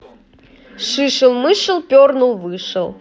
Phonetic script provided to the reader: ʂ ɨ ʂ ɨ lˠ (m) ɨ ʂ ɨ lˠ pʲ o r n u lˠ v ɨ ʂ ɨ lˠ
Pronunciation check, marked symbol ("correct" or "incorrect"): correct